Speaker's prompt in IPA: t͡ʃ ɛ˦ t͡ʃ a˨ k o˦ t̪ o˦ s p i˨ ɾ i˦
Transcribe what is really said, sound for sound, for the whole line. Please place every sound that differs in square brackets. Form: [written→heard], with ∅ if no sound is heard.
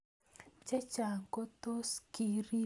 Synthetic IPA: t͡ʃ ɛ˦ t͡ʃ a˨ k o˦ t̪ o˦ s [p→k] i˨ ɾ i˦